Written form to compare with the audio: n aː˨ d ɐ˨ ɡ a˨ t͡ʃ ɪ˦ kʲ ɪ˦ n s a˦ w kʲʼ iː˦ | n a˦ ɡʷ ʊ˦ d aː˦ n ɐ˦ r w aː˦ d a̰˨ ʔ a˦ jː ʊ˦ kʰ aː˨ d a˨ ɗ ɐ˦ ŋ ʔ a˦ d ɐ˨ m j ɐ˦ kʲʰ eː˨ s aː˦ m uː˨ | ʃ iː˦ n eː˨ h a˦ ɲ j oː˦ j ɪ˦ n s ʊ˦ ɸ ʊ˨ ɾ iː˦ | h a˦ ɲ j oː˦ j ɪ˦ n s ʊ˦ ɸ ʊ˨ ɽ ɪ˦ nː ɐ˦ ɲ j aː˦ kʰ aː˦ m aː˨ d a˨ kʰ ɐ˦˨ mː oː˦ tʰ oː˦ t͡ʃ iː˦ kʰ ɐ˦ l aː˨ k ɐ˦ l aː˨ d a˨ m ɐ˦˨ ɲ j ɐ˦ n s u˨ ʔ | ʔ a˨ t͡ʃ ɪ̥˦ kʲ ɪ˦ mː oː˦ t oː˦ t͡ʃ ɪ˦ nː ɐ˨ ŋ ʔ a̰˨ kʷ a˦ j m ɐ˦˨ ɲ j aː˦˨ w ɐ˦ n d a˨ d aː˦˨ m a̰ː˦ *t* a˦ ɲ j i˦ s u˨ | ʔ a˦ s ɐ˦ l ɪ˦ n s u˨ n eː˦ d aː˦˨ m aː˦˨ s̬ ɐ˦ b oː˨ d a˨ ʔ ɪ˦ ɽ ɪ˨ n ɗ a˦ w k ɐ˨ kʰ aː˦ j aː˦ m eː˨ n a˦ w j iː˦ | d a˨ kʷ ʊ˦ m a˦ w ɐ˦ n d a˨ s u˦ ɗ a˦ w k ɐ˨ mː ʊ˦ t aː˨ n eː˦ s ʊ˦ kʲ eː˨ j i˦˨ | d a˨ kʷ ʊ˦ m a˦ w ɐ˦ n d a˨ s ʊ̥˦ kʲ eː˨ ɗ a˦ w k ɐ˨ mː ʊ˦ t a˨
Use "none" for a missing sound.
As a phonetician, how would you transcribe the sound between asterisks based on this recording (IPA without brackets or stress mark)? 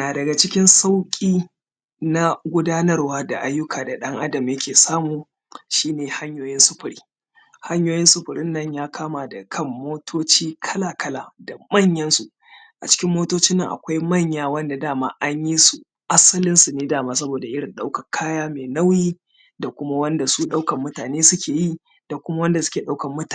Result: ʔ